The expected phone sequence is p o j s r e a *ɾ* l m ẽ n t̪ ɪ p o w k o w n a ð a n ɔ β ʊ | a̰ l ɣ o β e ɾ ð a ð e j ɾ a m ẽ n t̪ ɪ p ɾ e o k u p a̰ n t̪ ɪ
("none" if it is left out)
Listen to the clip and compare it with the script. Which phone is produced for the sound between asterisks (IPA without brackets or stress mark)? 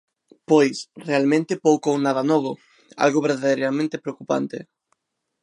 none